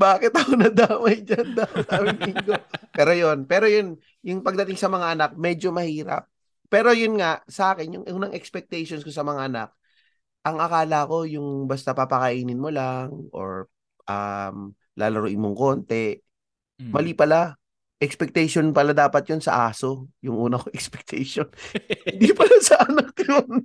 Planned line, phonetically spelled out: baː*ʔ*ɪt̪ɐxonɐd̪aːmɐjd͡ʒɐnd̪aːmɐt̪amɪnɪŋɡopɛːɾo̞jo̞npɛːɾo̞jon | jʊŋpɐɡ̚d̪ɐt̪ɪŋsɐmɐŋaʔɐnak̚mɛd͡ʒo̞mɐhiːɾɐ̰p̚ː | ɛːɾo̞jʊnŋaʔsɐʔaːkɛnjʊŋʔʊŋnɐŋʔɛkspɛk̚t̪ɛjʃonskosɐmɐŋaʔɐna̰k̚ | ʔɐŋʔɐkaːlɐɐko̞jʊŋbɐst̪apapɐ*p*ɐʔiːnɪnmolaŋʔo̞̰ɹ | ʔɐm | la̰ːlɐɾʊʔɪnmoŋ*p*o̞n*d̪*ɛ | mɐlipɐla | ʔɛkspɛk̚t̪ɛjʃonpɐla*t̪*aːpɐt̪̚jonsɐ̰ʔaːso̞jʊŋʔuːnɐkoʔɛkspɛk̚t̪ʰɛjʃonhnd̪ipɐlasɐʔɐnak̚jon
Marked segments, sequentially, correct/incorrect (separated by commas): incorrect, incorrect, incorrect, incorrect, incorrect